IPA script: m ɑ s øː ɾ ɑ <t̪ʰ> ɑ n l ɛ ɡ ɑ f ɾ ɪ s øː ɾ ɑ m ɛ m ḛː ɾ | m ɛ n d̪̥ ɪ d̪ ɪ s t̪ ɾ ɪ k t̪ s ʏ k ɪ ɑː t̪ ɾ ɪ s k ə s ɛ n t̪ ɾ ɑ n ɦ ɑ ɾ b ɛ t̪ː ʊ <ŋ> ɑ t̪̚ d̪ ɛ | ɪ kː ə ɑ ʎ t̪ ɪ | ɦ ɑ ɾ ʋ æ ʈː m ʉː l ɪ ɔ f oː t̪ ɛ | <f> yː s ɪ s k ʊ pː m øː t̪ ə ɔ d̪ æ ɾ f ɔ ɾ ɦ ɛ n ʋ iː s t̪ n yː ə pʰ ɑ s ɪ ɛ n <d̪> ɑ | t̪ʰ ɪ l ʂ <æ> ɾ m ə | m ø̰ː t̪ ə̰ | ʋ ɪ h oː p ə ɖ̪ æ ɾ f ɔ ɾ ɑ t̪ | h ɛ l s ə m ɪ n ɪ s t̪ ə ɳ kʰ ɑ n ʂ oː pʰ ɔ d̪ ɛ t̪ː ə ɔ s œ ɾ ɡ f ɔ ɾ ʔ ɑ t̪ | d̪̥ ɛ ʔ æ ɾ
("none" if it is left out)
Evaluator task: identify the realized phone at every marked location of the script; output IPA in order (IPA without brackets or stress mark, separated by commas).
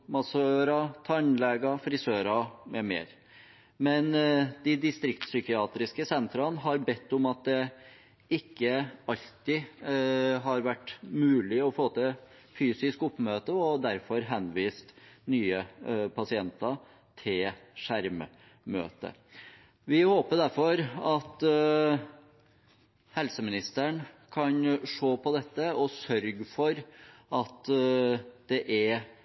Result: t̪ʰ, m, f, t̪, æ